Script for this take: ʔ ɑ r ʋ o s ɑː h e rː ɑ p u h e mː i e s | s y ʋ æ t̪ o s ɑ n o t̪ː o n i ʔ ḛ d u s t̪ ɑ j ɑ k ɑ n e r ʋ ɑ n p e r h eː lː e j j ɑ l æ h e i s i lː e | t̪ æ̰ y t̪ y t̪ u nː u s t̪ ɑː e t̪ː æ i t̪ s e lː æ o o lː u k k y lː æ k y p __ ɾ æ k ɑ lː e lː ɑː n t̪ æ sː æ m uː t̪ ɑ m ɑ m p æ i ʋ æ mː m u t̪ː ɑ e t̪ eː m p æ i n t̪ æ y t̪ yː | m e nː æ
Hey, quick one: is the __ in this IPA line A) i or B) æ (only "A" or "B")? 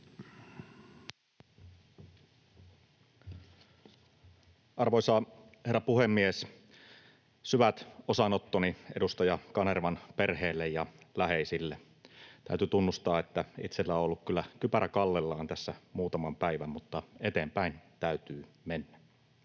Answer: B